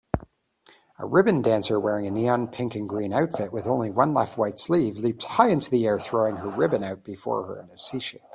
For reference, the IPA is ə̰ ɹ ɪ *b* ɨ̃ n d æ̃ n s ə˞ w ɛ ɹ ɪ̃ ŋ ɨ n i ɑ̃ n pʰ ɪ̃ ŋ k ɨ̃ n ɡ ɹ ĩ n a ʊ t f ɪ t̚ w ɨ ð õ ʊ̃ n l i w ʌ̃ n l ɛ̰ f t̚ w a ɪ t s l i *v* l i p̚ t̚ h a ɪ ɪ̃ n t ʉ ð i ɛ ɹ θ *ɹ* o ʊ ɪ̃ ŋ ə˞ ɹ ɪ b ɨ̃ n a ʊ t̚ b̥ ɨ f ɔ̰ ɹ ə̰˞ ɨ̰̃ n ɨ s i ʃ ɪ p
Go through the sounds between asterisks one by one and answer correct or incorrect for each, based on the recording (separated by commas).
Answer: correct, correct, correct